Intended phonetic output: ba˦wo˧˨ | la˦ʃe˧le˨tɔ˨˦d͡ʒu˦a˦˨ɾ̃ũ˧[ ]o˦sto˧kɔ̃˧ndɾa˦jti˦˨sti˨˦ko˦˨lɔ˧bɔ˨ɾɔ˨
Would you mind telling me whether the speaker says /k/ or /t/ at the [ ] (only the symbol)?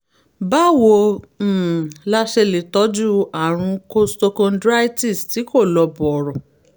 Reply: k